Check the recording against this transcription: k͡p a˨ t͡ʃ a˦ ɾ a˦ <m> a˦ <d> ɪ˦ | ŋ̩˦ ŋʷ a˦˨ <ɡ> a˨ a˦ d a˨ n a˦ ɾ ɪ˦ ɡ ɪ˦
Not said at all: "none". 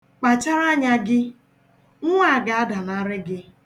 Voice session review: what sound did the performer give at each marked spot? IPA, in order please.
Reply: ɲ, ɡ, ɡ

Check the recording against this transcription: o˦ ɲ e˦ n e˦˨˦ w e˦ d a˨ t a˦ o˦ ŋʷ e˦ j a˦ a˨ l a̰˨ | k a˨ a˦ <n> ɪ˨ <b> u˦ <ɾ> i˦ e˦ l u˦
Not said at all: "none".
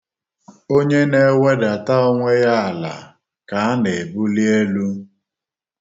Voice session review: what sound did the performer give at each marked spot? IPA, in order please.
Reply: n, b, l

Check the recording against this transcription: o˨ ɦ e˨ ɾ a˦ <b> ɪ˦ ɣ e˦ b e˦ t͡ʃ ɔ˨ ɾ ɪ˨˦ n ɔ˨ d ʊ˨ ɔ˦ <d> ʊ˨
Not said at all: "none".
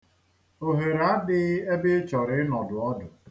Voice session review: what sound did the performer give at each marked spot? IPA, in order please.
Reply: d, d

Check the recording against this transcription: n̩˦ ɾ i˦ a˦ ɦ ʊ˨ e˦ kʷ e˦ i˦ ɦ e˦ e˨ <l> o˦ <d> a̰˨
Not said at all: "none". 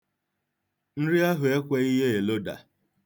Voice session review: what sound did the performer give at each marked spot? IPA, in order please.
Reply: l, d

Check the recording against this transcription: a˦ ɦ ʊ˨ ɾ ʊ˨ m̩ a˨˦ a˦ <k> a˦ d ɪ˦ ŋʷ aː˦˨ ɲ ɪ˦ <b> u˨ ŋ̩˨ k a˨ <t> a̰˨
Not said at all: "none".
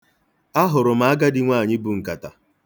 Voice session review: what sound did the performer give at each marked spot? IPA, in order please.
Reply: ɡ, b, t

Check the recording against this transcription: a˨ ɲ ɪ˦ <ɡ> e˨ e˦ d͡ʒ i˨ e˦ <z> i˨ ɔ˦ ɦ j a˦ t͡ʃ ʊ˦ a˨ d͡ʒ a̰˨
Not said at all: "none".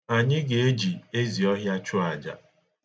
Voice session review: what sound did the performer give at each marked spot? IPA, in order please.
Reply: ɡ, z

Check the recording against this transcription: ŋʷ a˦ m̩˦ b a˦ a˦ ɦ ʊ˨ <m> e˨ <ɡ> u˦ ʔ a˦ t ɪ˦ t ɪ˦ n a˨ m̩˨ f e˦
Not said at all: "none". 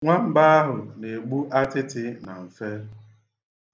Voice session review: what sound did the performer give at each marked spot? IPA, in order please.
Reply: n, ɡ͡b

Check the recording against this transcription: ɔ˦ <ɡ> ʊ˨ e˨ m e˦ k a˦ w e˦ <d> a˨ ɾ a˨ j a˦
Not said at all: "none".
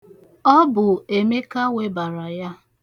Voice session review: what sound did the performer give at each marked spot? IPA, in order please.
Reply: b, b

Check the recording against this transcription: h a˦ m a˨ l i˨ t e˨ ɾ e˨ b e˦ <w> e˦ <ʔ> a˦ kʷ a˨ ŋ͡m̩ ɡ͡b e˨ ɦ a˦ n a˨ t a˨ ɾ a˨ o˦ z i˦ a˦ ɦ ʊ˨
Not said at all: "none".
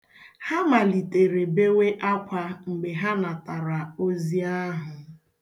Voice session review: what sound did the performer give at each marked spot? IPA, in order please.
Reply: w, ʔ

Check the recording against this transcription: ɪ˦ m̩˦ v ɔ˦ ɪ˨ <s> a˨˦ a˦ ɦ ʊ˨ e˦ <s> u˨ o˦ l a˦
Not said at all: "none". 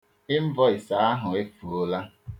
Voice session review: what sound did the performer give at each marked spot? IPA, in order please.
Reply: s, f

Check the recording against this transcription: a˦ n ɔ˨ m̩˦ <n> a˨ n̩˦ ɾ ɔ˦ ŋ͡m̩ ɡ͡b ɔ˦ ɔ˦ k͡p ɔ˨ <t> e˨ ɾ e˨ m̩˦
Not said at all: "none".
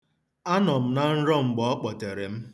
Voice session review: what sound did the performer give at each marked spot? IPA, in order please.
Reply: n, t

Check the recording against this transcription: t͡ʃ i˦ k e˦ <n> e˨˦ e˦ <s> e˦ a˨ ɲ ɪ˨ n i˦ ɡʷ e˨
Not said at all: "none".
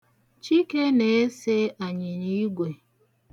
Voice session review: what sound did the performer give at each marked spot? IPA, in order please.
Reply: n, s

